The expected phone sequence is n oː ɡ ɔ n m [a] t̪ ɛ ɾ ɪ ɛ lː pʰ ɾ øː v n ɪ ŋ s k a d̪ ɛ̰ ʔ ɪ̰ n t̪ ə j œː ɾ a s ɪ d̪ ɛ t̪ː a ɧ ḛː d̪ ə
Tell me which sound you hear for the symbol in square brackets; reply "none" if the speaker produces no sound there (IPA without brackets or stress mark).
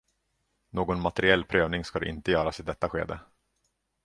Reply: a